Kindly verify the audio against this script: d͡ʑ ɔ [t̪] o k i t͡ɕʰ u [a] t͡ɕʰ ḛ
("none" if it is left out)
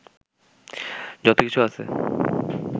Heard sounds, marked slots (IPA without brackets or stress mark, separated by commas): t̪, a